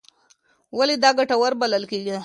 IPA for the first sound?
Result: w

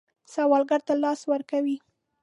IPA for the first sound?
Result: s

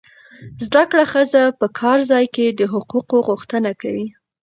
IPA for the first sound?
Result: z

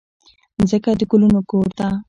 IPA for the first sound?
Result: z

